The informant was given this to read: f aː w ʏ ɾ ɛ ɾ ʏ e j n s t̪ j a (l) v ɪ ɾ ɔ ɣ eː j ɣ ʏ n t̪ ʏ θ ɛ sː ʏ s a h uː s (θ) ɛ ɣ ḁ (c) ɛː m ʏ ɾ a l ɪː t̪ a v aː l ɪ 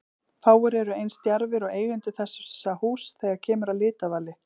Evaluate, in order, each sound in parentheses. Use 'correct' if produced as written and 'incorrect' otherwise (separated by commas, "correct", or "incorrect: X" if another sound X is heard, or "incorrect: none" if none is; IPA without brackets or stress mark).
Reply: incorrect: ɾ, correct, incorrect: cʰ